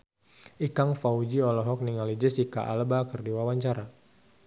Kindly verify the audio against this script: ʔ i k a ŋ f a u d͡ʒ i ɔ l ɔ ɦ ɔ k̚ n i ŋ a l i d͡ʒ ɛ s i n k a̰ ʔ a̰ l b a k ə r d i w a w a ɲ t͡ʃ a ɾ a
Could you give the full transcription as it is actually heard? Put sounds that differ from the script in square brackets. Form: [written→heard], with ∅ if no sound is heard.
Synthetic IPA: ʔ i k a ŋ f a u d͡ʒ i ɔ l ɔ ɦ ɔ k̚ n i ŋ a l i d͡ʒ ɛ s i [n→∅] k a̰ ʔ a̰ l b a k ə r d i w a w a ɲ t͡ʃ a ɾ a